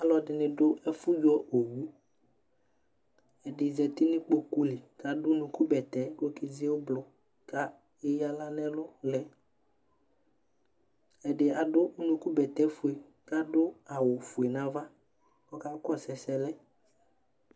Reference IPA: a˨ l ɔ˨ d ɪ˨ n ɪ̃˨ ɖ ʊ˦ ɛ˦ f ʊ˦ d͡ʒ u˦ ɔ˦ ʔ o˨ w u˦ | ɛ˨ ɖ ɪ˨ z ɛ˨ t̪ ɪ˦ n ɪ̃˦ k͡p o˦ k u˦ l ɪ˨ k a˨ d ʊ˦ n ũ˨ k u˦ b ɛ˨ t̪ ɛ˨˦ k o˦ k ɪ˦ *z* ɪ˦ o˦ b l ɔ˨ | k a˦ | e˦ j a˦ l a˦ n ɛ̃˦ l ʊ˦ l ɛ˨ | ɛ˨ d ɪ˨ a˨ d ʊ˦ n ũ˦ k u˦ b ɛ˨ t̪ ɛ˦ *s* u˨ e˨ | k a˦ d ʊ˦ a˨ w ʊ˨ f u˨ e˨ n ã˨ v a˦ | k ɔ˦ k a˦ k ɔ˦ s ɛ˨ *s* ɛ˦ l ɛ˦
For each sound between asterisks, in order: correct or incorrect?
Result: correct, incorrect, correct

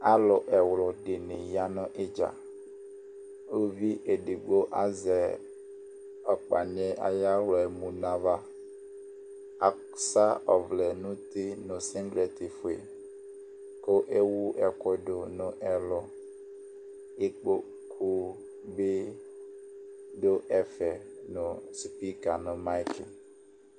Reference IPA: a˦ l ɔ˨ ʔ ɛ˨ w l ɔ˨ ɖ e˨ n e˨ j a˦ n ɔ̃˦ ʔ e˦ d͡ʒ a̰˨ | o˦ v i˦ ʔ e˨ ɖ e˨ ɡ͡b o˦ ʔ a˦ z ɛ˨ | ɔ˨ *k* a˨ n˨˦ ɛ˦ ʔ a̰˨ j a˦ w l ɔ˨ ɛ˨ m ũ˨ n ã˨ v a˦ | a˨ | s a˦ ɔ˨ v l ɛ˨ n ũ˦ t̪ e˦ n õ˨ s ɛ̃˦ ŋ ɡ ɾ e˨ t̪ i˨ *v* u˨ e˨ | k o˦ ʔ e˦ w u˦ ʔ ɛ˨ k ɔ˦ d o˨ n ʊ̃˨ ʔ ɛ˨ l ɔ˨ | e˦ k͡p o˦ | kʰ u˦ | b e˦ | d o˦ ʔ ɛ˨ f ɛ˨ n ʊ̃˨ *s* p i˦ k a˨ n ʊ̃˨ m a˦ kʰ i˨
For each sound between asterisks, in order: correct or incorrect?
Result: incorrect, incorrect, correct

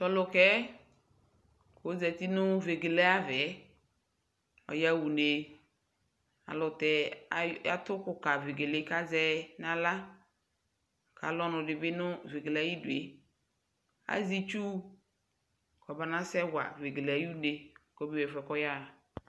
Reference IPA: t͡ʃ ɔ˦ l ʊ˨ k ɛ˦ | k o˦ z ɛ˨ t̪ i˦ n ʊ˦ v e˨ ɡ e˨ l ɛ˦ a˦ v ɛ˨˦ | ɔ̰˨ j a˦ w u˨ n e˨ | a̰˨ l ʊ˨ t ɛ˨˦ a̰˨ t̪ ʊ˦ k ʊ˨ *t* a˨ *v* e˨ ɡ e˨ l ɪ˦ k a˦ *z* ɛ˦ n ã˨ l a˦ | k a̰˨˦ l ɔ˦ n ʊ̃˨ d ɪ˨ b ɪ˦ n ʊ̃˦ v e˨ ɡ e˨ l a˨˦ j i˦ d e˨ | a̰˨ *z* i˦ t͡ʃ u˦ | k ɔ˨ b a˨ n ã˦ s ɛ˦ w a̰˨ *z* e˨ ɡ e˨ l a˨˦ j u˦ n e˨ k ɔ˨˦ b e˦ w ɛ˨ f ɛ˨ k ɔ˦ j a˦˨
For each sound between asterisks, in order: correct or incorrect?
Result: incorrect, correct, correct, correct, incorrect

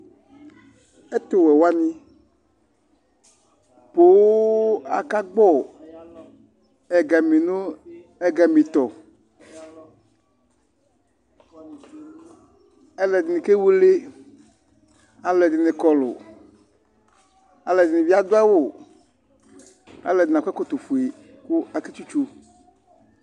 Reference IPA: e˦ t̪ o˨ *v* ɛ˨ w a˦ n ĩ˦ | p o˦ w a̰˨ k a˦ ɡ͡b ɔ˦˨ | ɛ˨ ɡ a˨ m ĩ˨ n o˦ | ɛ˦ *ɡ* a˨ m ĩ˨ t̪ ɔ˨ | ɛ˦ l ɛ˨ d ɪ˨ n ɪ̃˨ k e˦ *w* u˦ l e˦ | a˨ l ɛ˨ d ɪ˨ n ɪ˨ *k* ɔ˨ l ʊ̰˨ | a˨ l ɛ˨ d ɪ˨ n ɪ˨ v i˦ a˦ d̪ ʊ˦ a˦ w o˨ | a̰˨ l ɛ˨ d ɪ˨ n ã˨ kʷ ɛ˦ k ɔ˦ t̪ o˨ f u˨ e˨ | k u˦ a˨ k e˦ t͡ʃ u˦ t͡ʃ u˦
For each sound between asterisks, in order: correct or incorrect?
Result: incorrect, correct, correct, correct

